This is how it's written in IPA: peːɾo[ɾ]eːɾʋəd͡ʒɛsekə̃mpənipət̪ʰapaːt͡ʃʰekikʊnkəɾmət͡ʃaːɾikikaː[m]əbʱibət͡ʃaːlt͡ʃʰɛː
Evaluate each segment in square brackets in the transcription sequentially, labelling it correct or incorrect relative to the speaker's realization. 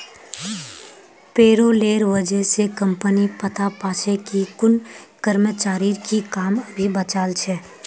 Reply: incorrect: l, correct

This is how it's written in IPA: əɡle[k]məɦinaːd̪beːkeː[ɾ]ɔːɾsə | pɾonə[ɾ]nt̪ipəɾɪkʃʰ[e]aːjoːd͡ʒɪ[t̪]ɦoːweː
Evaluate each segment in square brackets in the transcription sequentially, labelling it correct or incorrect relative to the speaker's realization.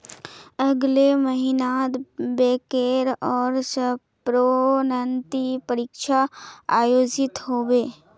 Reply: incorrect: none, correct, incorrect: none, incorrect: a, correct

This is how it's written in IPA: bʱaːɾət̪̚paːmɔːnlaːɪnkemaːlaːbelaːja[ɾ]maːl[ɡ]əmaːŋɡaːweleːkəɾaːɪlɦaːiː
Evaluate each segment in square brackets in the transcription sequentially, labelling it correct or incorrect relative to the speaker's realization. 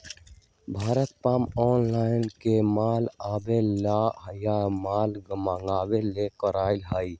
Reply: incorrect: none, correct

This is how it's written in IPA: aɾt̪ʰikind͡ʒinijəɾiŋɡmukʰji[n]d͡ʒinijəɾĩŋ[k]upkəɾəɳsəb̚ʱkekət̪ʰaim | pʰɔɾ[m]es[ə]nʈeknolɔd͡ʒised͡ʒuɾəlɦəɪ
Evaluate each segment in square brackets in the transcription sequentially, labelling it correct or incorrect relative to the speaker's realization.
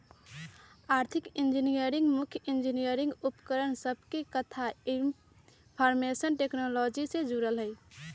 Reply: correct, incorrect: ɡ, correct, correct

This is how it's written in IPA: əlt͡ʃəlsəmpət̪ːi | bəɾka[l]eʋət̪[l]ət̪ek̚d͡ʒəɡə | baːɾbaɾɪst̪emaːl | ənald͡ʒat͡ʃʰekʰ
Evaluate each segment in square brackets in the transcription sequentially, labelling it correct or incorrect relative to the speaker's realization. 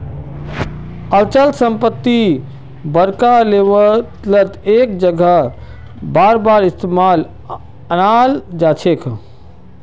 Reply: correct, correct

